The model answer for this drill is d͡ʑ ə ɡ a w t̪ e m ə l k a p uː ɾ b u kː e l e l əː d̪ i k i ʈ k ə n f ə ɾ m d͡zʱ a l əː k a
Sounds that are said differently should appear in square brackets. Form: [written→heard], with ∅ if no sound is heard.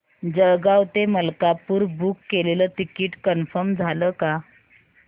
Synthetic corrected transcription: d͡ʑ ə ɡ a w t̪ e m ə l k a p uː ɾ b u kː e l e l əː [d̪→t̪] i k i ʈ k ə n f ə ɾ m d͡zʱ a l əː k a